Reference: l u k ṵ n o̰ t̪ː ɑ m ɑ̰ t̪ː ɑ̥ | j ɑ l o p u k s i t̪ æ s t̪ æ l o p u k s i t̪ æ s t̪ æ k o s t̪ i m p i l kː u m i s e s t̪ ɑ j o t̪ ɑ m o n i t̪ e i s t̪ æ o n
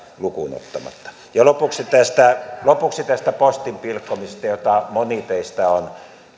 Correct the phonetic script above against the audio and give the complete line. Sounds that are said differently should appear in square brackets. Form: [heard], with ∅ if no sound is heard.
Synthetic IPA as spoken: l u k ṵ n o̰ t̪ː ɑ m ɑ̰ t̪ː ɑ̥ | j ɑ l o p u k s i t̪ æ s t̪ æ l o p u k s i t̪ æ s t̪ æ [p] o s t̪ i m p i l kː [o] m i s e s t̪ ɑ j o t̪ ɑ m o n i t̪ e i s t̪ æ o n